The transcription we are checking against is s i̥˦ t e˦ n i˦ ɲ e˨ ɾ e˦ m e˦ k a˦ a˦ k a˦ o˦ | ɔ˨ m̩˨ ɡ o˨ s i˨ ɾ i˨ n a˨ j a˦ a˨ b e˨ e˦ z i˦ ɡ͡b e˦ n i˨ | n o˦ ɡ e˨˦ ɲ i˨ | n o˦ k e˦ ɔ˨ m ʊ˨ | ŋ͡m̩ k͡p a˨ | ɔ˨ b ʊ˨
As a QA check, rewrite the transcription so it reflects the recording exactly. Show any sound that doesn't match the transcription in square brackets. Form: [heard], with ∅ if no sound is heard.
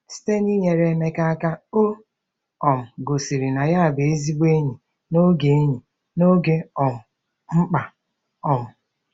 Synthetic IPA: s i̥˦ t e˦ n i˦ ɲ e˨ ɾ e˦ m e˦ k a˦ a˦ k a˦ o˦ | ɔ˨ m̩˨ ɡ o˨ s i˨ ɾ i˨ n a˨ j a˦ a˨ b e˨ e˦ z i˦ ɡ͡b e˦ [ɲ] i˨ | n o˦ ɡ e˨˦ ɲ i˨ | n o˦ [ɡ] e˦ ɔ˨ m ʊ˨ | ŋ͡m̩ k͡p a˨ | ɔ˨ [m] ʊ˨